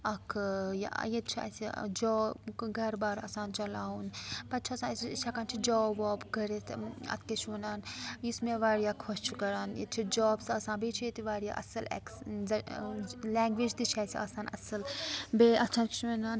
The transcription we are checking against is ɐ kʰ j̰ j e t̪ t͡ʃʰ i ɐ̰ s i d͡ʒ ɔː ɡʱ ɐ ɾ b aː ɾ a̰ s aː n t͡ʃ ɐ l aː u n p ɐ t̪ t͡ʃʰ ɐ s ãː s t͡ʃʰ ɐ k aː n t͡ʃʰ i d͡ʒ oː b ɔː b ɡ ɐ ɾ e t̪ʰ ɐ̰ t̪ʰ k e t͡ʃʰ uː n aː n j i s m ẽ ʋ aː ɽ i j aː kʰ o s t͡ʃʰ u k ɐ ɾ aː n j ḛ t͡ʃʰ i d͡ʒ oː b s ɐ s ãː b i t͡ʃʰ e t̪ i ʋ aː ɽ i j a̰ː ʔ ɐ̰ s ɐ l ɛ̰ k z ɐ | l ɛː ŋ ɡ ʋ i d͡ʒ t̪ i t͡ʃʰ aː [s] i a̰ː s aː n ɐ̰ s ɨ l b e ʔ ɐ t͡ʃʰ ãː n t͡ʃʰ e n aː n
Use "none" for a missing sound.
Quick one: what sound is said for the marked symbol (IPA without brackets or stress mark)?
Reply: s